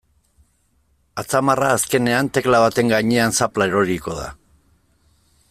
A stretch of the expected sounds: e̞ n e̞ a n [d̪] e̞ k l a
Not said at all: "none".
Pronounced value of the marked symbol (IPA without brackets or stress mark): t̪